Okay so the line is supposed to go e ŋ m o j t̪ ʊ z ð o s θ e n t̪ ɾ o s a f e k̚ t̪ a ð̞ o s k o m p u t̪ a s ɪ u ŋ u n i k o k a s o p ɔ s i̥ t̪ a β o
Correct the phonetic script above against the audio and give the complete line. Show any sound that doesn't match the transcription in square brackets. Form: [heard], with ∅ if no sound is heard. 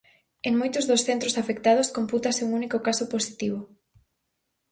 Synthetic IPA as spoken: e ŋ m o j t̪ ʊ z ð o s θ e n t̪ ɾ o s a f e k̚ t̪ a ð̞ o s k o m p u t̪ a s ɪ u ŋ u n i k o k a s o p [o] s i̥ t̪ [i] β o

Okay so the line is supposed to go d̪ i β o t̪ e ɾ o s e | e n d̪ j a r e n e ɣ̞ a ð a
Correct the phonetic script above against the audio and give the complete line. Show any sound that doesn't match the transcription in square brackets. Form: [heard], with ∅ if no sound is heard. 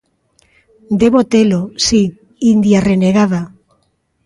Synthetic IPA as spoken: d̪ [e] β o t̪ e [l] o s [i] | [i] n d̪ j a r e n e ɣ̞ a ð a

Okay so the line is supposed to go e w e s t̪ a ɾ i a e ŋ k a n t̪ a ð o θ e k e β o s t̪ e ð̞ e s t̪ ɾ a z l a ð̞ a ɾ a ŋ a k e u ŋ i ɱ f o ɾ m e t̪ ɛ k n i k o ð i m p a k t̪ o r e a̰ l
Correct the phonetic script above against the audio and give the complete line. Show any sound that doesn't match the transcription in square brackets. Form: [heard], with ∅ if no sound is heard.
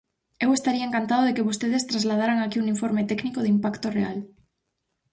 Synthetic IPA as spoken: e w e s t̪ a ɾ i a e ŋ k a n t̪ a ð o [ð] e k e β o s t̪ e ð̞ e s t̪ ɾ a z l a ð̞ a ɾ a ŋ a k [i] u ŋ i ɱ f o ɾ m e t̪ ɛ k n i k o ð i m p a k t̪ o r e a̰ l

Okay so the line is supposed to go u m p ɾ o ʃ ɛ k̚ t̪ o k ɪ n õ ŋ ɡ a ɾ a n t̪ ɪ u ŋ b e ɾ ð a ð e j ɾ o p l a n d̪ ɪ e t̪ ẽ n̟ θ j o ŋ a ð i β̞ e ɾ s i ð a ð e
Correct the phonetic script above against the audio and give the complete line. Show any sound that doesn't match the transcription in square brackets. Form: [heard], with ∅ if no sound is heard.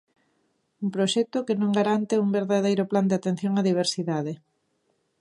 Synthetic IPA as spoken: u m p ɾ o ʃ ɛ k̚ t̪ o k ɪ n õ ŋ ɡ a ɾ a n t̪ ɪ u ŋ b e ɾ ð a ð e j ɾ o p l a n d̪ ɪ [a] t̪ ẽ n̟ θ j o ŋ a ð i β̞ e ɾ s i ð a ð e

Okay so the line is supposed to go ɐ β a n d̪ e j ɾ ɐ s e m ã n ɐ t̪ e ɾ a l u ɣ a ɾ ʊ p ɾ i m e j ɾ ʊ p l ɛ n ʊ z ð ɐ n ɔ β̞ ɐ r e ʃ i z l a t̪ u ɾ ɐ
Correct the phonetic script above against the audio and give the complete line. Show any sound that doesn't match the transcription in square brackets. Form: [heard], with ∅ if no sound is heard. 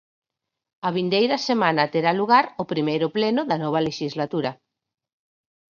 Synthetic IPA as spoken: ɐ β [i] n d̪ e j ɾ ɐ s e m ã n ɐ t̪ e ɾ a l u ɣ a ɾ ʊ p ɾ i m e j ɾ ʊ p l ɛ n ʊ [∅] ð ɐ n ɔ β̞ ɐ [l] e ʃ i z l a t̪ u ɾ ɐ

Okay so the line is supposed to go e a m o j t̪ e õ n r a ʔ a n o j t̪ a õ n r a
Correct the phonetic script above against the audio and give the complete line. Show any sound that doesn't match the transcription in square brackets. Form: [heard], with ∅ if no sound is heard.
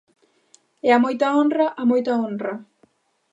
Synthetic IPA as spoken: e a m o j t̪ [a] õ n r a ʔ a [m] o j t̪ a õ n r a

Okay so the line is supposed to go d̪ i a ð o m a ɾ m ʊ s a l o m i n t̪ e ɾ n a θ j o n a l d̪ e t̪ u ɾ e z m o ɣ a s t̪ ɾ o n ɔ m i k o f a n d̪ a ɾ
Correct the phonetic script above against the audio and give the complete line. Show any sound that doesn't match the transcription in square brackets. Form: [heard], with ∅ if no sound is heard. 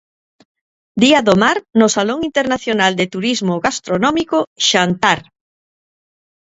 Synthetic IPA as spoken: d̪ i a ð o m a ɾ [n] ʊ s a l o [ŋ] i n t̪ e ɾ n a θ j o n a l d̪ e t̪ u ɾ [i] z m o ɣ a s t̪ ɾ o n ɔ m i k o [ʃ] a n [t̪] a ɾ

